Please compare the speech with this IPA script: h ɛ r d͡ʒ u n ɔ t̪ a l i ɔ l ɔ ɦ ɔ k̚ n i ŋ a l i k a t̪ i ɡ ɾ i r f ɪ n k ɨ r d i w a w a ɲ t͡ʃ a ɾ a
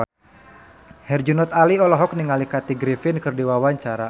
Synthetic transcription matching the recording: h ɛ r d͡ʒ u n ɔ t̪ a l i ɔ l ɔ ɦ ɔ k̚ n i ŋ a l i k a t̪ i ɡ ɾ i f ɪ n k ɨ r d i w a w a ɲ t͡ʃ a ɾ a